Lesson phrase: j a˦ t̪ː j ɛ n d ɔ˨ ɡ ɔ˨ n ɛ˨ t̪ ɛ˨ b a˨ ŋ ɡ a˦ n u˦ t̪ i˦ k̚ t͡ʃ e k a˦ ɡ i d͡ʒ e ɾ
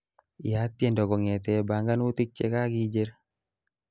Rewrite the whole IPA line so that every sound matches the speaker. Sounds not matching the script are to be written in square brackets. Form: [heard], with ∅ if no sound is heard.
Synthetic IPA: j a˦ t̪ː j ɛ n d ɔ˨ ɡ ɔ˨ [ŋ] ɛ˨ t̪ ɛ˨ b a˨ ŋ ɡ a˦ n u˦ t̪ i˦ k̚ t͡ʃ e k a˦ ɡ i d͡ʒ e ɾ